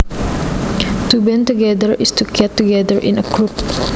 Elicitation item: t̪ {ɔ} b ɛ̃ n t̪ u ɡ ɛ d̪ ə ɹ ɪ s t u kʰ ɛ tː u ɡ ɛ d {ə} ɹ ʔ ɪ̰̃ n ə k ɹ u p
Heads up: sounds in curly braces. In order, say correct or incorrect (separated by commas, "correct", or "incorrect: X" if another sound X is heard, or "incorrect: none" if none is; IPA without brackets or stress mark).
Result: incorrect: u, correct